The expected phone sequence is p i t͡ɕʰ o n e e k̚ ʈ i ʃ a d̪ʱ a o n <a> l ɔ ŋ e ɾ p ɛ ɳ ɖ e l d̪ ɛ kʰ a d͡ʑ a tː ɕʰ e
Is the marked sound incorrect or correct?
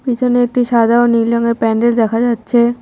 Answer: incorrect